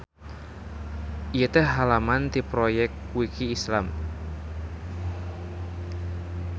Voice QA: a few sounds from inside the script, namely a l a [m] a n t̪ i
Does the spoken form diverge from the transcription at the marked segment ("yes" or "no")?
no